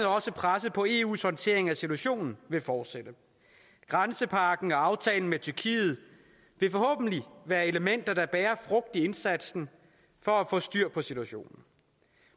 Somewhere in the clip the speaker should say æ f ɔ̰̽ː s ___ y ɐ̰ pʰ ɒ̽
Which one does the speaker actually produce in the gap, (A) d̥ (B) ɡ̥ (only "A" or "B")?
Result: A